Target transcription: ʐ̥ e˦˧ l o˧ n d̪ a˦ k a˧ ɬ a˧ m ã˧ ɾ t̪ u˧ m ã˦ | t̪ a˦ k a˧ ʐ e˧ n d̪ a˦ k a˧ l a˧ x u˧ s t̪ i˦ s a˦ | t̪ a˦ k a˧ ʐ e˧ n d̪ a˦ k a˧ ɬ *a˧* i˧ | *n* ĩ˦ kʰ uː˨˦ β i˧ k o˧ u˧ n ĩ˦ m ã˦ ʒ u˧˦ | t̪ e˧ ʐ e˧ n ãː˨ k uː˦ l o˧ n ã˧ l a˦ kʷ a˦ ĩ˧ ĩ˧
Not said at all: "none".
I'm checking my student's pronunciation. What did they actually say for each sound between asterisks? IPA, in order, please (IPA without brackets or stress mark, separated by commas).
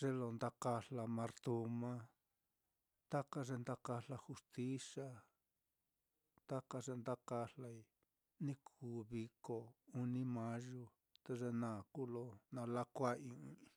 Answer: a˧, n